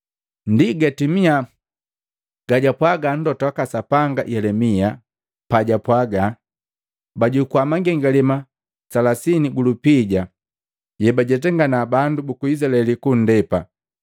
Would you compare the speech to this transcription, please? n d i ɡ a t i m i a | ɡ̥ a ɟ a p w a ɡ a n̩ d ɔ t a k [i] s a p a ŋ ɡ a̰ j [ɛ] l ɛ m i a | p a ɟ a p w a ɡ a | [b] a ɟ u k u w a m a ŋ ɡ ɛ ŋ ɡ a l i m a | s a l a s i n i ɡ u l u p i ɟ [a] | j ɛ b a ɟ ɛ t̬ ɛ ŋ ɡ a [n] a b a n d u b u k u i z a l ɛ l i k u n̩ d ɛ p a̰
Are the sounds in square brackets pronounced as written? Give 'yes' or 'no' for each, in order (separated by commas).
no, yes, yes, yes, yes